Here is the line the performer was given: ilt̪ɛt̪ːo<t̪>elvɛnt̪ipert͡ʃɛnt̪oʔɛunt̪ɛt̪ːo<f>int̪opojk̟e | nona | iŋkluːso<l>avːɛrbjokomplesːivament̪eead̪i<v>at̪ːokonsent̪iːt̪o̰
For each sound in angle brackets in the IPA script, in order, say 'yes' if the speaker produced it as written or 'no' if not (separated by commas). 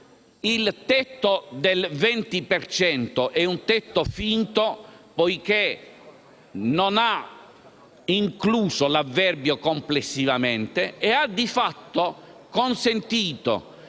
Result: no, yes, yes, no